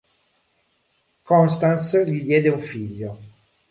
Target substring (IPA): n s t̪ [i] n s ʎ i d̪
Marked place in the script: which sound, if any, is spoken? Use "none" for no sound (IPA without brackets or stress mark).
a